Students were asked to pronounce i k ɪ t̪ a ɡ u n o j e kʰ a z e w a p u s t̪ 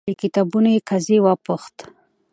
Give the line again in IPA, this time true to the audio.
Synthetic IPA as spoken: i k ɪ t̪ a b u n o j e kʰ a z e w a p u x t̪